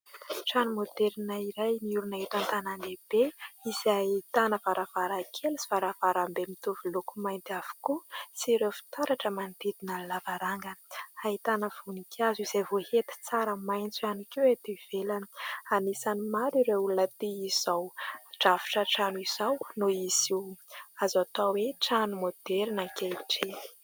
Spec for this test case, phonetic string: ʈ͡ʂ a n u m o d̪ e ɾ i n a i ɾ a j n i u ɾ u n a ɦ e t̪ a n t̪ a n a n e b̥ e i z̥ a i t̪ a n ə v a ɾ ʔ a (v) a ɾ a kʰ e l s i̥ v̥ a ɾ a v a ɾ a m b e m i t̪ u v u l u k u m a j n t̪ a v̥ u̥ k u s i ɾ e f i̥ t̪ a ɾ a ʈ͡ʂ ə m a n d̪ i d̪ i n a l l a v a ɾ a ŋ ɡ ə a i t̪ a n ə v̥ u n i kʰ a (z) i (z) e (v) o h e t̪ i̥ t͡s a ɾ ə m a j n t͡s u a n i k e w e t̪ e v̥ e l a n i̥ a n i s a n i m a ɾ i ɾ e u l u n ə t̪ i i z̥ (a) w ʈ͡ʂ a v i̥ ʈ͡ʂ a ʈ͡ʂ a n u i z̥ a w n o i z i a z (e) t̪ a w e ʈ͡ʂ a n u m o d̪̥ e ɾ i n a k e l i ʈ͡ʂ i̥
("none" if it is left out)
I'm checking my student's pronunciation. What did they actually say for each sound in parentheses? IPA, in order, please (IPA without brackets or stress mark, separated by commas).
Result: v, z, z, v, a, a